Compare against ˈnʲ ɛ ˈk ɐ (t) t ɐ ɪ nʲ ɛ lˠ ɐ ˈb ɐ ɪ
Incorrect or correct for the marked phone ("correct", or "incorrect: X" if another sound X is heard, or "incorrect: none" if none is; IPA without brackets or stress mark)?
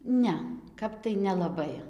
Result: incorrect: p